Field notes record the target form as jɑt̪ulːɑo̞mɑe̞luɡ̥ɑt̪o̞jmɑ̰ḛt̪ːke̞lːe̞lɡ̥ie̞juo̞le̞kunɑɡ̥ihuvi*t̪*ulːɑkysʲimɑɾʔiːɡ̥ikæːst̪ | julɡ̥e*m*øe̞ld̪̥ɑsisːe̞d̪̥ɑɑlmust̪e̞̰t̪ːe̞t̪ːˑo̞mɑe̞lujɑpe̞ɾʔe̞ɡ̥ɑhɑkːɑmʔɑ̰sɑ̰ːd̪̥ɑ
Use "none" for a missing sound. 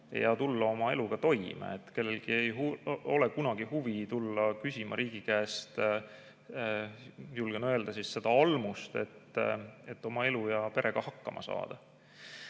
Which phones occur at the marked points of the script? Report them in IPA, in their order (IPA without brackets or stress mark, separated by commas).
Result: t̪, n